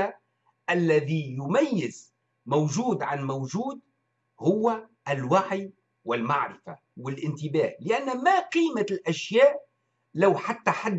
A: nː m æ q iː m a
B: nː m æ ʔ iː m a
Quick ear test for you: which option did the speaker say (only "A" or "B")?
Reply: A